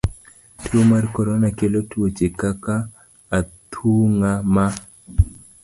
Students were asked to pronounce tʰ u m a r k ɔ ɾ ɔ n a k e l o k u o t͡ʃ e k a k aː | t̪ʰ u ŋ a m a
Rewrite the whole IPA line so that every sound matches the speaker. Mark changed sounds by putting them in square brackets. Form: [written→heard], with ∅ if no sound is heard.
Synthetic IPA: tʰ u m a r k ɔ ɾ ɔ n a k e l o [k→t] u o t͡ʃ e k a k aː | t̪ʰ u ŋ a m a